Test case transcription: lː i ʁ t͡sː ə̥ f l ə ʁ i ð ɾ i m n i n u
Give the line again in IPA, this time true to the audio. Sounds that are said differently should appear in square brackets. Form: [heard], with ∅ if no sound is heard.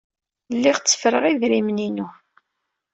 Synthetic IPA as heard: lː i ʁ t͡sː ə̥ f [ɾ] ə ʁ i ð ɾ i m n i n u